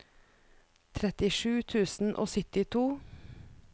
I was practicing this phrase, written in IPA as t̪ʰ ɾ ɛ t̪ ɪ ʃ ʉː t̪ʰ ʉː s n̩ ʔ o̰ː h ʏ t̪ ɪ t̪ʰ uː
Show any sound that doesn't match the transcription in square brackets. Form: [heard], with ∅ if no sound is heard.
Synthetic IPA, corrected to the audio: t̪ʰ ɾ ɛ t̪ ɪ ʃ ʉː t̪ʰ ʉː s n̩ ʔ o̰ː [s] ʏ t̪ ɪ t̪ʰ uː